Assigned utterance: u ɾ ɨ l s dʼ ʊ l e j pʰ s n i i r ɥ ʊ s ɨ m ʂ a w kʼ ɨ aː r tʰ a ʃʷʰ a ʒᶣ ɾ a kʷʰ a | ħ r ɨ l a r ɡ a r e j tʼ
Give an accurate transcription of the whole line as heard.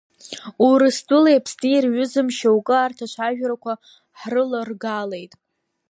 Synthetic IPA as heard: u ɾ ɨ s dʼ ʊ l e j pʰ s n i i r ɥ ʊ z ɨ m ʃ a w kʼ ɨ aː r tʰ a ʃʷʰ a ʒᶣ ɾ a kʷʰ a | ħ r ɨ l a r ɡ a l e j tʼ